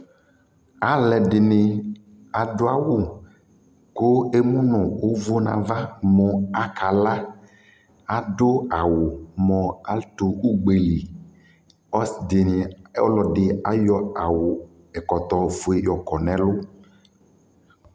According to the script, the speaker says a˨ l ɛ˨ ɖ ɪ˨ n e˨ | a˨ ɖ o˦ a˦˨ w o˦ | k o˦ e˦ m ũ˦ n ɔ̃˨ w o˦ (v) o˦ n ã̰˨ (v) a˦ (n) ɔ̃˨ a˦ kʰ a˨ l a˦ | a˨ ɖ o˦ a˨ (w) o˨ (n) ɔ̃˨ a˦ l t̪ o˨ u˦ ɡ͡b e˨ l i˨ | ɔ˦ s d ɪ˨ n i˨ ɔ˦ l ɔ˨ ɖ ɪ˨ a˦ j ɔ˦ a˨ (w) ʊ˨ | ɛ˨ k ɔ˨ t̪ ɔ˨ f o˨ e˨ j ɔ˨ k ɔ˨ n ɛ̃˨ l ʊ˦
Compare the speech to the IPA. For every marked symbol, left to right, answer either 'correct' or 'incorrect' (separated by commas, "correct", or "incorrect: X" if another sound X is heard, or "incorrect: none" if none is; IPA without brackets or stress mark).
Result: correct, correct, incorrect: m, correct, incorrect: m, correct